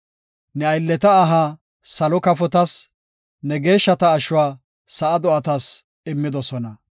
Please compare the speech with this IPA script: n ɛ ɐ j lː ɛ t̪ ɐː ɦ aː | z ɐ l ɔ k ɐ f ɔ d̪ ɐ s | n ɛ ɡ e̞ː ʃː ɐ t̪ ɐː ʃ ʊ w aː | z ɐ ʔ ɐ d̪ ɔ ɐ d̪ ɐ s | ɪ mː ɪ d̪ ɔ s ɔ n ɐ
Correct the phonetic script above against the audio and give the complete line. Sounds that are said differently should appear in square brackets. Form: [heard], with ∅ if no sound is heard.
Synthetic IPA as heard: n ɛ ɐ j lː ɛ t̪ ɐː ɦ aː | [s] ɐ l ɔ k ɐ f ɔ [t̪] ɐ s | n ɛ ɡ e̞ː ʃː ɐ t̪ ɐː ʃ ʊ w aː | [s] ɐ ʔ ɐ d̪ ɔ ɐ [t̪] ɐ s | ɪ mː ɪ d̪ ɔ s ɔ n ɐ